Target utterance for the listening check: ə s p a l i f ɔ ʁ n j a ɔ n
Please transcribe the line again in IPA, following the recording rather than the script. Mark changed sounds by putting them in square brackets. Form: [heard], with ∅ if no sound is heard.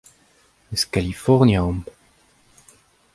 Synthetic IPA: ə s [k] a l i f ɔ ʁ n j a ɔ [m]